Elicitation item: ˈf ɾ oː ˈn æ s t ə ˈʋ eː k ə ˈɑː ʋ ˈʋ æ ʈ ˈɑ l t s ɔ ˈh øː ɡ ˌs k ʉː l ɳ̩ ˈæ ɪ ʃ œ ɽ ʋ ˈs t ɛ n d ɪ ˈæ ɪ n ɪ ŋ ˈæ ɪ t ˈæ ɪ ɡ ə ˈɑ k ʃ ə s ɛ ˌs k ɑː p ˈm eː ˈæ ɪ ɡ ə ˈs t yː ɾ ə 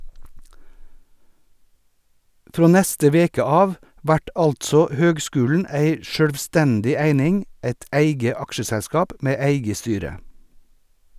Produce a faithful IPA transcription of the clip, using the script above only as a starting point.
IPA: ˈf ɾ oː ˈn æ s t ə ˈʋ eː k ə ˈɑː ʋ ˈʋ æ ʈ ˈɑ l t s ɔ ˈh øː ɡ ˌs k ʉː l n̩ ˈæ ɪ ʃ œ ɽ ʋ ˈs t ɛ n d ɪ ˈæ ɪ n ɪ ŋ ˈæ ɪ t ˈæ ɪ ɡ ə ˈɑ k ʃ ə s ɛ ˌs k ɑː p ˈm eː ˈæ ɪ ɡ ə ˈs t yː ɾ ə